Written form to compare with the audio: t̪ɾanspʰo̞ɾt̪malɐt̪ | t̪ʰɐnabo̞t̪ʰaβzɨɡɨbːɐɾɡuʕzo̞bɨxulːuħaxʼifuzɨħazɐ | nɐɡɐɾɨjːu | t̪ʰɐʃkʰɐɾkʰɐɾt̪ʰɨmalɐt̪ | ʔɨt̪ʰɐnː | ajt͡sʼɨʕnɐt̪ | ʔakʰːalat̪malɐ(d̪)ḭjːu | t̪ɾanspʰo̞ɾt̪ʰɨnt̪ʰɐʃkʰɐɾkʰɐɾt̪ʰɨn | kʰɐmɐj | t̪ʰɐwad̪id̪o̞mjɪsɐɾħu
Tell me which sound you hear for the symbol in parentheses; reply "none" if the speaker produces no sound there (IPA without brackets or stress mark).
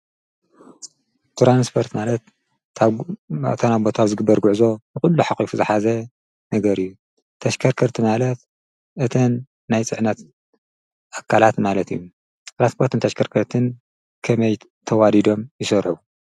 t̪